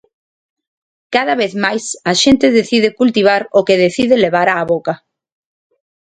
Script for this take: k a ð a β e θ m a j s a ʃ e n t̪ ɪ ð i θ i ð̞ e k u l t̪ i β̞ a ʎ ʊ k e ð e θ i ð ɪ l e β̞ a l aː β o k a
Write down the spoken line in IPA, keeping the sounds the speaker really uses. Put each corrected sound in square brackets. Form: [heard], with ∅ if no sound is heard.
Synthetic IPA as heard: k a ð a β e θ m a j s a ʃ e n t̪ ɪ ð [e] θ i ð̞ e k u l t̪ i β̞ a [ɾ] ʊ k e ð e θ i ð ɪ l e β̞ a [ɾ] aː β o k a